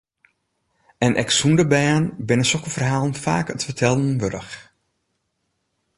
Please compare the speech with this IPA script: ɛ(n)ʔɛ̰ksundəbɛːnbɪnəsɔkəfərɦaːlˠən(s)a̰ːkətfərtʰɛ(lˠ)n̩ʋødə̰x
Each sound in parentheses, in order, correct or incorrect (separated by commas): correct, incorrect, correct